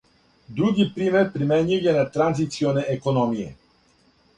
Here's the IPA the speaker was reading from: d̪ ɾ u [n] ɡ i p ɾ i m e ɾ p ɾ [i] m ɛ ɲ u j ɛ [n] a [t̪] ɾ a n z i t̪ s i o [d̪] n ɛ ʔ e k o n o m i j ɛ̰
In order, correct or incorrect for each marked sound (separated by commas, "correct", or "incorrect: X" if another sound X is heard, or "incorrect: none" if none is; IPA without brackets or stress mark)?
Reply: incorrect: none, correct, correct, correct, incorrect: none